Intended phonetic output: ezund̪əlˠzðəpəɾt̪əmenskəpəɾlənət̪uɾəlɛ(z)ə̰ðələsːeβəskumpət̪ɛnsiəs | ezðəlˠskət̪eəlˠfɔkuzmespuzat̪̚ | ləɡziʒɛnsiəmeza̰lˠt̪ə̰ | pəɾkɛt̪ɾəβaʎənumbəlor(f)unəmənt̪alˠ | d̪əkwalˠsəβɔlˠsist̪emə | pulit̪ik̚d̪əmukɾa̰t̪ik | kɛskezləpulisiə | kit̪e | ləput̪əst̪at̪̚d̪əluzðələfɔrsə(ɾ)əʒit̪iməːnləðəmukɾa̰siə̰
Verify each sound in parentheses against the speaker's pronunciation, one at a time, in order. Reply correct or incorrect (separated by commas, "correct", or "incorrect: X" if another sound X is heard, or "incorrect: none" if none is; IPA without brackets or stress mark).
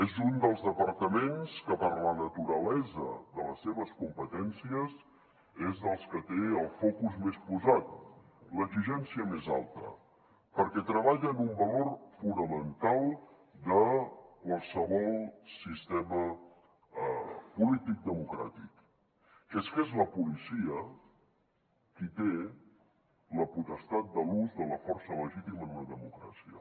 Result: correct, correct, incorrect: l